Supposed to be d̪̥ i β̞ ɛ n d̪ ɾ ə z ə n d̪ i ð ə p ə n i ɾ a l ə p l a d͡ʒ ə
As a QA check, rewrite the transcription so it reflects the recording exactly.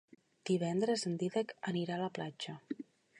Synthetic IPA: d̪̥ i β̞ ɛ n d̪ ɾ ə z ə n d̪ i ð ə k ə n i ɾ a l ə p l a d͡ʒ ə